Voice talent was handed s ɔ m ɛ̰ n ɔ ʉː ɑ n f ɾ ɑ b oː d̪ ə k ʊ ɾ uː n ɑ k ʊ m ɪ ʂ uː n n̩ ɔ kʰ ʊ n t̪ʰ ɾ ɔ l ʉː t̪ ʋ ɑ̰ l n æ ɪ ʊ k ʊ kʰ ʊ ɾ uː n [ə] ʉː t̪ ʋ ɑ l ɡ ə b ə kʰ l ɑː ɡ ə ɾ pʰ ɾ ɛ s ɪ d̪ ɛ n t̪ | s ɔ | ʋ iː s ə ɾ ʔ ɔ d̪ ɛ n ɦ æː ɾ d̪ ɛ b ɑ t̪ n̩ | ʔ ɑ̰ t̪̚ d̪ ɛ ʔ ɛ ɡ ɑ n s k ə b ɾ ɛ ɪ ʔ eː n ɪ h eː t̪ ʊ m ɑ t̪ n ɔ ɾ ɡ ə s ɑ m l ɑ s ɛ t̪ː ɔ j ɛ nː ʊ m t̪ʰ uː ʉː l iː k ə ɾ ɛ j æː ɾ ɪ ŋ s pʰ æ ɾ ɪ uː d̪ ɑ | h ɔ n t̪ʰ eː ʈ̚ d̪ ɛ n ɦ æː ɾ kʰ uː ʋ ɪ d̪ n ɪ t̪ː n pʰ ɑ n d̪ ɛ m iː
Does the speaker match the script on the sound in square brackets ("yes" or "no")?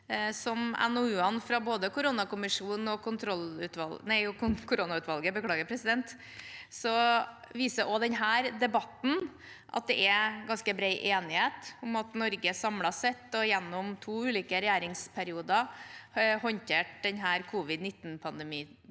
no